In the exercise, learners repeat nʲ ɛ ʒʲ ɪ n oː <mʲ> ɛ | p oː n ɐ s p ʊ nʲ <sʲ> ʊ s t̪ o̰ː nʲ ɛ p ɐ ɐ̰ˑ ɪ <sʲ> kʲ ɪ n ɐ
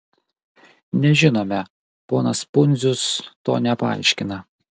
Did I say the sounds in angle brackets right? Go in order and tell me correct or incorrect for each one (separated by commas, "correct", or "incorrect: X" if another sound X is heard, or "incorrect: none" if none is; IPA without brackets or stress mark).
correct, incorrect: zʲ, incorrect: ʃʲ